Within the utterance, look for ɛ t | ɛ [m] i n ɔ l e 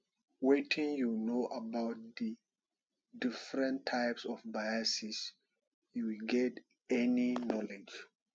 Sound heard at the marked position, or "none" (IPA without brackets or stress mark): n